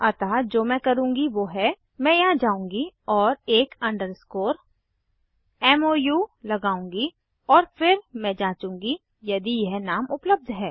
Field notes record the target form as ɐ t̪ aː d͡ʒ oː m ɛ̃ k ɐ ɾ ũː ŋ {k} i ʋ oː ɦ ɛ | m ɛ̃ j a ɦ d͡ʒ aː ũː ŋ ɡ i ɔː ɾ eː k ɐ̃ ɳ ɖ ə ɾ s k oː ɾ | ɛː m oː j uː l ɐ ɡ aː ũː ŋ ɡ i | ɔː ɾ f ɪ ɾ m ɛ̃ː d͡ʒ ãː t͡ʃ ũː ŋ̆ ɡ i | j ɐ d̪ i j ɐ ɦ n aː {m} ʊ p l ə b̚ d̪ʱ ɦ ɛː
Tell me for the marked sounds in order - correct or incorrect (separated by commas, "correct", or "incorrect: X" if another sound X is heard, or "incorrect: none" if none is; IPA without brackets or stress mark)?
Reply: incorrect: ɡ, correct